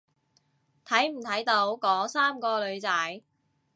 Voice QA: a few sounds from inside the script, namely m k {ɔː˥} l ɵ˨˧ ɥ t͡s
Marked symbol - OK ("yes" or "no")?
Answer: no